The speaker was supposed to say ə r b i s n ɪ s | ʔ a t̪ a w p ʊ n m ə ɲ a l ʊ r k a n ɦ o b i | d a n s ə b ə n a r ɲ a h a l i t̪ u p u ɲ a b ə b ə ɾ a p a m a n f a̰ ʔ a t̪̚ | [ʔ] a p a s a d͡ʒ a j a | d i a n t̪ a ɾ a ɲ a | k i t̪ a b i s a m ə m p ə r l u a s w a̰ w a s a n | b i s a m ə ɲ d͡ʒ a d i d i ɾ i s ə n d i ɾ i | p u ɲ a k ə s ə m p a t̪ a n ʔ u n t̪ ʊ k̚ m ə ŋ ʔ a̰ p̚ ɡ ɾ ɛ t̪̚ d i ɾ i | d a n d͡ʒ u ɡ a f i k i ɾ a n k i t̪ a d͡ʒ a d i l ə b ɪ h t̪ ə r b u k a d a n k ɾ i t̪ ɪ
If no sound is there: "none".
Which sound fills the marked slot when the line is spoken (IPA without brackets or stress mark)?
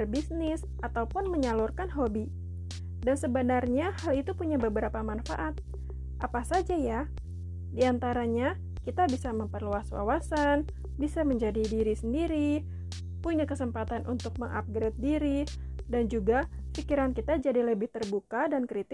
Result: ʔ